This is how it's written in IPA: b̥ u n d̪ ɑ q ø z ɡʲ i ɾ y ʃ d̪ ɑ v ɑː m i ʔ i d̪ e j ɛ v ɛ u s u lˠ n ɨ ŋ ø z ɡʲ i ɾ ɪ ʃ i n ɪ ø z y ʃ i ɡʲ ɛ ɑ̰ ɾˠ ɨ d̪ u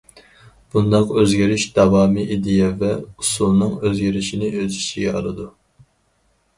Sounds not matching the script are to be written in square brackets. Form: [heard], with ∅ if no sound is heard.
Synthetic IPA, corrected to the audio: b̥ u n d̪ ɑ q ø z ɡʲ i ɾ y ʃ d̪ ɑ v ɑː m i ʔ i d̪ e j ɛ v ɛ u s u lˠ n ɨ ŋ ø z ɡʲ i ɾ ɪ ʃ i n ɪ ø z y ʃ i ɡʲ ɛ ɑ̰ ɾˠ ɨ d̪ u